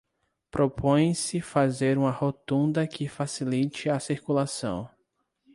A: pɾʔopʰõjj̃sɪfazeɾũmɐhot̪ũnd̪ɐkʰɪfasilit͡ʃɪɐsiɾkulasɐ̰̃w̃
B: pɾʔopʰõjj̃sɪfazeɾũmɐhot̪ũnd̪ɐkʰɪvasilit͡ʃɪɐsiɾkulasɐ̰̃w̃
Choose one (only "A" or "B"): A